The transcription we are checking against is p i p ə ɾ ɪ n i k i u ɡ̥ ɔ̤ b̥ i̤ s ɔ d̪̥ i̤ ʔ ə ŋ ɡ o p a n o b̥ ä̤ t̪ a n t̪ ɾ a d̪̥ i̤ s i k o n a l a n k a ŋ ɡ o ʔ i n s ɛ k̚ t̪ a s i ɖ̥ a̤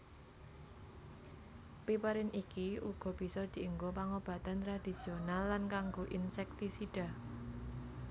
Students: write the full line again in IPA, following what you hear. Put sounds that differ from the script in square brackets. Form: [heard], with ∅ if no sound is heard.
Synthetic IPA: p i p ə ɾ ɪ n i k i u ɡ̥ ɔ̤ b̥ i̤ s ɔ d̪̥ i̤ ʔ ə ŋ ɡ o p a [ŋ] o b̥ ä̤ t̪ a n t̪ ɾ a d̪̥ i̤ s i [∅] o n a [lː] a n k a ŋ ɡ o ʔ i n s ɛ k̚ t̪ [i] s i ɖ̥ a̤